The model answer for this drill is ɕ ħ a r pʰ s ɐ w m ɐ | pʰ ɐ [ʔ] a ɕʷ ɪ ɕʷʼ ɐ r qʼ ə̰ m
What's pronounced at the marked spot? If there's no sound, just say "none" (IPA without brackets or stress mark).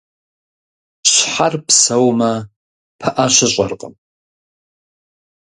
ʔ